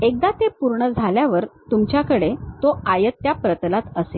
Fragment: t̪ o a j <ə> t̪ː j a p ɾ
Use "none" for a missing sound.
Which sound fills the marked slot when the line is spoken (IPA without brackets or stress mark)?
ə